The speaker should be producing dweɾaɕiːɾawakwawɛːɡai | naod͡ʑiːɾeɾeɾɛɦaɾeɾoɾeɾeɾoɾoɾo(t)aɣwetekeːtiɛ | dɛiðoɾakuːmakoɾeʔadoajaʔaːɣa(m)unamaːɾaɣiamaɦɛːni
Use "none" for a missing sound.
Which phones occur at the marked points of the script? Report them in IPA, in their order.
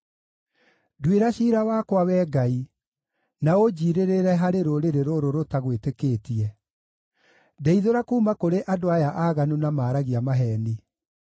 t, n

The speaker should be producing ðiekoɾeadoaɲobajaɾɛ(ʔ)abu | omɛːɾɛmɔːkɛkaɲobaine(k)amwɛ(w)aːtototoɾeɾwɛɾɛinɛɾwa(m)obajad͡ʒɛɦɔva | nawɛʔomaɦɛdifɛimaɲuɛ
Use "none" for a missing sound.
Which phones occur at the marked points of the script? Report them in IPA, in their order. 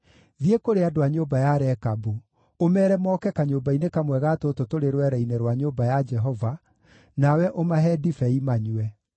k, k, ɣ, ɲ

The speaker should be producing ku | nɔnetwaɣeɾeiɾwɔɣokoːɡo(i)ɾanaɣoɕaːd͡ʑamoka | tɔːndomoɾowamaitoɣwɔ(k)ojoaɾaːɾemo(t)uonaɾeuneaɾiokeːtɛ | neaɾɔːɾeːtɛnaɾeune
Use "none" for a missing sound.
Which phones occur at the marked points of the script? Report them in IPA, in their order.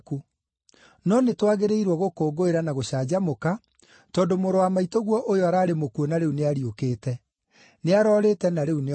e, ʔ, k

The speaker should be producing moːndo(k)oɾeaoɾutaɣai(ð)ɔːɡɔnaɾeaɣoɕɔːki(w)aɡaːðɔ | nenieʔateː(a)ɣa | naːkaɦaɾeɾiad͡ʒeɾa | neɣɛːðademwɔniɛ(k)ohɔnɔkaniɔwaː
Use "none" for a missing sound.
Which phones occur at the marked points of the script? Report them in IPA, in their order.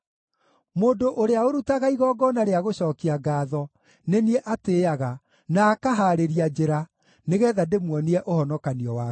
ʔ, ɣ, none, a, ʔ

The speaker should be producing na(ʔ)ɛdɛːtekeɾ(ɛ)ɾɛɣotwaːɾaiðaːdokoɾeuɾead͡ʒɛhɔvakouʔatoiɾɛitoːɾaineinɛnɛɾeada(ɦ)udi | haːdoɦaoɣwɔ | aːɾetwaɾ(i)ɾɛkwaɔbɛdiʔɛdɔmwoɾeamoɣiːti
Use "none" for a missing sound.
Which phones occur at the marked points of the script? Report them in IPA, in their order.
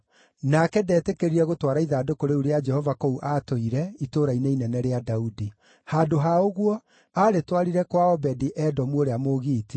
k, i, none, i

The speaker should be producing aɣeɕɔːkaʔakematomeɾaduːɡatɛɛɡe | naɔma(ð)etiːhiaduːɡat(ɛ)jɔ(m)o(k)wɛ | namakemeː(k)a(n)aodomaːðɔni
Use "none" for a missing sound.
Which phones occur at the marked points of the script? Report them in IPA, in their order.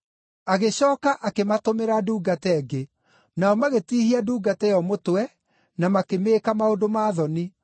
ɣ, ɛ, m, t, k, m

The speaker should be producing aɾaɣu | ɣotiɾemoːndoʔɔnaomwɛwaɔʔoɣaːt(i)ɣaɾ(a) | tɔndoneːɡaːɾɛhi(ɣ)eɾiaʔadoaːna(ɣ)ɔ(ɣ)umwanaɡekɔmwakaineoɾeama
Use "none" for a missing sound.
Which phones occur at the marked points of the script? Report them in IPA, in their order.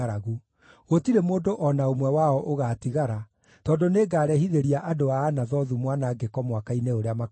i, a, ð, ð, ð

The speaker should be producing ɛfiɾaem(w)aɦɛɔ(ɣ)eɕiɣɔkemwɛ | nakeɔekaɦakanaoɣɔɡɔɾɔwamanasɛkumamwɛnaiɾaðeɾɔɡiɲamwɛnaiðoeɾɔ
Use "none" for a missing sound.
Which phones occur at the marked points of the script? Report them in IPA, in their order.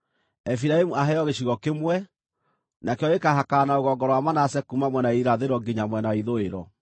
u, ɣ

